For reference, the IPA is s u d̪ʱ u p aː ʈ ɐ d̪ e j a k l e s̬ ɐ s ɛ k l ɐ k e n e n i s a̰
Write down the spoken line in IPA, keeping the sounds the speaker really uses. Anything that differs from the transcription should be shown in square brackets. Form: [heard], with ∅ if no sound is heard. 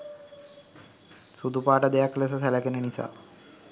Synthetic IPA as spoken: s u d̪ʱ u p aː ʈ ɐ d̪ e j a k l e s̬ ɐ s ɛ [∅] l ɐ k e n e n i s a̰